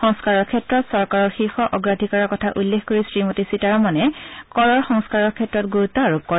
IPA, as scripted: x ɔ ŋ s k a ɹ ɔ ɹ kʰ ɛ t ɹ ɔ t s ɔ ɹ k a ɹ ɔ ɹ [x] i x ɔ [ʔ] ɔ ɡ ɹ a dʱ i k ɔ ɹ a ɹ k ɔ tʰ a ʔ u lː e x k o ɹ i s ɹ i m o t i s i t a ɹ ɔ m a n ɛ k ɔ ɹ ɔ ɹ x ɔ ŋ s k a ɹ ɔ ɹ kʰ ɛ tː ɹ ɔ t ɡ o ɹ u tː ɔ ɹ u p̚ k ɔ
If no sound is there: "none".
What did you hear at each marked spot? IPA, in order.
x, ʔ

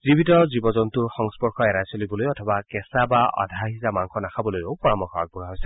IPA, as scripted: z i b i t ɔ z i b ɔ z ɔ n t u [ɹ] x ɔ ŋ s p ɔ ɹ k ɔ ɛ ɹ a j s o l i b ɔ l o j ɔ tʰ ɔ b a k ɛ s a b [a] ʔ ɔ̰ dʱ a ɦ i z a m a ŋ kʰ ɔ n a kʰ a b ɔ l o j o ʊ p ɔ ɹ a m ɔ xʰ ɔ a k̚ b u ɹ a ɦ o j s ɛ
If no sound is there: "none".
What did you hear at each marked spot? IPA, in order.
ɹ, a

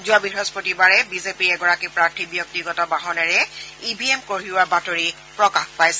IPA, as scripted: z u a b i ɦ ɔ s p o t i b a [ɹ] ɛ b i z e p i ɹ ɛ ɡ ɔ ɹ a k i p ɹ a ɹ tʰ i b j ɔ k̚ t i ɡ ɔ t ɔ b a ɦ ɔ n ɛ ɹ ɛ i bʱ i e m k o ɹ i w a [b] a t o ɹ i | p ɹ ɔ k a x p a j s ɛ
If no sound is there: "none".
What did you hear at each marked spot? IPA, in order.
ɹ, b

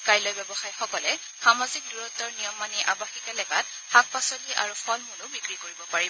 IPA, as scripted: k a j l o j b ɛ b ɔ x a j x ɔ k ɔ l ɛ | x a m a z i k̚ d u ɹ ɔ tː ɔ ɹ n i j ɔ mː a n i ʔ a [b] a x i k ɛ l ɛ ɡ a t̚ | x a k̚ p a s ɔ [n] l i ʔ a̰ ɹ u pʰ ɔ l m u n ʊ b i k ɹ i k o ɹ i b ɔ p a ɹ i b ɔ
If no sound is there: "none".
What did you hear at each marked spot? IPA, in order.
b, none

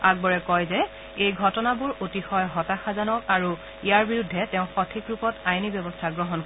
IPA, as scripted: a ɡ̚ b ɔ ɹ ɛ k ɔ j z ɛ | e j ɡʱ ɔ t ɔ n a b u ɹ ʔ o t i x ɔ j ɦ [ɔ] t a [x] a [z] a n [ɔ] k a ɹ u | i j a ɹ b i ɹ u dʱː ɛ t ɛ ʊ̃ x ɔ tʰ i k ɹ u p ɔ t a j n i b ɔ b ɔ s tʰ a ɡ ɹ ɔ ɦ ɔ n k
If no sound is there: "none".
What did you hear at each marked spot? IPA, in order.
ɔ, x, z, ɔ

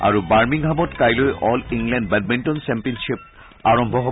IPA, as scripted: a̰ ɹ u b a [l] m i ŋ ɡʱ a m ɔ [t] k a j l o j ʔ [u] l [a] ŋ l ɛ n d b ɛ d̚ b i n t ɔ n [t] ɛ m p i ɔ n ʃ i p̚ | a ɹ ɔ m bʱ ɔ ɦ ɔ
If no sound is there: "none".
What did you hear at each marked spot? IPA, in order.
ɹ, t, ɔ, i, s

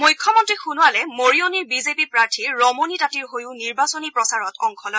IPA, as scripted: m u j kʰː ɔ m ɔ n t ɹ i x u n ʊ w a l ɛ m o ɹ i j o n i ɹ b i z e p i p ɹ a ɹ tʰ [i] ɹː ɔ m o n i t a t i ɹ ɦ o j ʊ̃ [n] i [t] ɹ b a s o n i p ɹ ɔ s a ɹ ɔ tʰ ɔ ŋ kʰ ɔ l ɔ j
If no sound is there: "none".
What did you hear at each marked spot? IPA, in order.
i, n, none

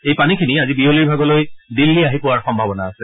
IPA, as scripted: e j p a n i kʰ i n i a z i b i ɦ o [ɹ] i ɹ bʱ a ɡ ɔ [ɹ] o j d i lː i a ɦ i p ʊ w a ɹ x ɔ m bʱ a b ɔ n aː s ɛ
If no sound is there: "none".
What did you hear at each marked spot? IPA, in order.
l, l

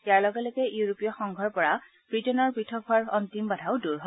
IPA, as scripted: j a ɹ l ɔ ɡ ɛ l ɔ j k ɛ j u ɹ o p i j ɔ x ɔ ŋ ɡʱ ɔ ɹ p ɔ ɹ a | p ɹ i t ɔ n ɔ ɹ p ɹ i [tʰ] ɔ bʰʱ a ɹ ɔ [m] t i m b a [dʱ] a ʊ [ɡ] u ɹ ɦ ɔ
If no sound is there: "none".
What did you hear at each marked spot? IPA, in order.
tʰ, n, dʱ, d

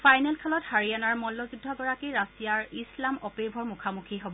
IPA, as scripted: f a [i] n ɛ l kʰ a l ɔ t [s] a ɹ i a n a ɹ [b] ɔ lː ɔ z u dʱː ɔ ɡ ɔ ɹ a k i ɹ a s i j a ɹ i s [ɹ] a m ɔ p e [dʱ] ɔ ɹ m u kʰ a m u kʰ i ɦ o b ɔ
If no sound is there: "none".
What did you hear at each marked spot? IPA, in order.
j, h, m, l, bʱ

